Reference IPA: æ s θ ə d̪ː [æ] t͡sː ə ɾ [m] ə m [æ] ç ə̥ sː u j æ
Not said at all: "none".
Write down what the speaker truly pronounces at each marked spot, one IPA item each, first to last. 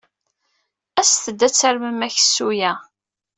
æ, m, æ

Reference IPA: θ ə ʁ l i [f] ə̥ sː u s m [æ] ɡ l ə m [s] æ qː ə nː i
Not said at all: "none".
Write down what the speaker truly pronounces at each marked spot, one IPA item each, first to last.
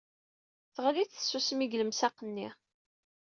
θ, i, s

